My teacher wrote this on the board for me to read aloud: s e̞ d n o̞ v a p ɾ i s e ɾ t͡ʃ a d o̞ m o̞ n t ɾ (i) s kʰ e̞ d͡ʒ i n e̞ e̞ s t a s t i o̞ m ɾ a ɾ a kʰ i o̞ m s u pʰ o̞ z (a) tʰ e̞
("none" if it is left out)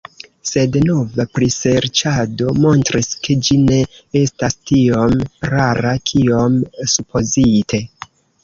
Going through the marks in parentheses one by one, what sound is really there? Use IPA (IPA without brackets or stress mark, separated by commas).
i, i